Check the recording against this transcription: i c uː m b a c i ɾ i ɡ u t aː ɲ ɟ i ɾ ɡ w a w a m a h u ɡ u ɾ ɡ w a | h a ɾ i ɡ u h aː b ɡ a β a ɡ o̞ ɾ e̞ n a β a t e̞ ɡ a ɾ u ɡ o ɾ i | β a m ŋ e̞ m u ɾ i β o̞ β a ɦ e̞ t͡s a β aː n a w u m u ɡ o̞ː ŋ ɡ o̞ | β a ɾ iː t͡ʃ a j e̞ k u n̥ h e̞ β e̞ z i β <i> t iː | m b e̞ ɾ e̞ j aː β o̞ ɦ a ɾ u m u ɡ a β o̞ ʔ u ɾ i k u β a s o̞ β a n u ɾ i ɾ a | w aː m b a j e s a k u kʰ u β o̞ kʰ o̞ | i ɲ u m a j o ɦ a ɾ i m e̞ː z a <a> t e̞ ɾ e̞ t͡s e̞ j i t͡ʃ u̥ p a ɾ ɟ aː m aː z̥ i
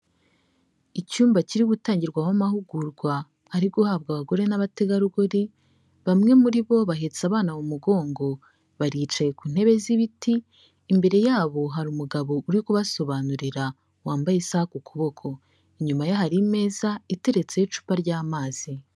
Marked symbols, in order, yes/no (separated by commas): yes, no